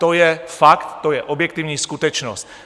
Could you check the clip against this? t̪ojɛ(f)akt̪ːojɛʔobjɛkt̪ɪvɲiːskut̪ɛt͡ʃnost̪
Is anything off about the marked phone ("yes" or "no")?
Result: no